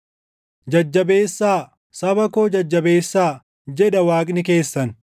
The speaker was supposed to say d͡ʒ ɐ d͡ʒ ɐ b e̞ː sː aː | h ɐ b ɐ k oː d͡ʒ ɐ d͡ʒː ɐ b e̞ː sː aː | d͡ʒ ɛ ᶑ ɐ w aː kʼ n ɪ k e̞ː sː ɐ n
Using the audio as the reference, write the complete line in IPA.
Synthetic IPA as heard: d͡ʒ ɐ d͡ʒː ɐ b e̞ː sː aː | s ɐ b ɐ k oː d͡ʒ ɐ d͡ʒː ɐ b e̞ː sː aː | d͡ʒ ɛ ᶑ ɐ w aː kʼ n ɪ k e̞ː sː ɐ n